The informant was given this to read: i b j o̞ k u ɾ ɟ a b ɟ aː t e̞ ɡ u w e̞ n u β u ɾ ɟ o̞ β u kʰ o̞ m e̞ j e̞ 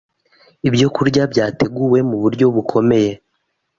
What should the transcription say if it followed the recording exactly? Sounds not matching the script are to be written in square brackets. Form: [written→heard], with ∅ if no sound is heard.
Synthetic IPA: i b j o̞ k u ɾ ɟ a b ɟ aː t e̞ ɡ u w e̞ [n→m] u β u ɾ ɟ o̞ β u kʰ o̞ m e̞ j e̞